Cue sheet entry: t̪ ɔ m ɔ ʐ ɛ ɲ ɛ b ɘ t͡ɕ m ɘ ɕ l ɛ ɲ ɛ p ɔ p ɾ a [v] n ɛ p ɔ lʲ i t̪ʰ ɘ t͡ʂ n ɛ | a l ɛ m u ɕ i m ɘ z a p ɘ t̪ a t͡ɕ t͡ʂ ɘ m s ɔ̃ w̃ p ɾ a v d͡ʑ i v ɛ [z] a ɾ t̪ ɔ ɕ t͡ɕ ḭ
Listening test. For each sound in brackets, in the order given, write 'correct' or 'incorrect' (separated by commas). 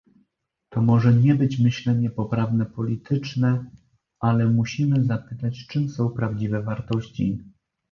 correct, incorrect